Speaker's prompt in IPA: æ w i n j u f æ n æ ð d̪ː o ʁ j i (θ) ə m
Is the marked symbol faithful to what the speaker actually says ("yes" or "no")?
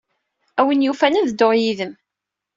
no